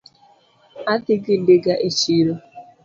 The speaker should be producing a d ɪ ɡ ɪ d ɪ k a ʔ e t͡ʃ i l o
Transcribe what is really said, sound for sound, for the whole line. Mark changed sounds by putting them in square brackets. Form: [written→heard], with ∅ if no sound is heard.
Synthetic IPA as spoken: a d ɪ ɡ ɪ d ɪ [k→ɡ] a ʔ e t͡ʃ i [l→ɾ] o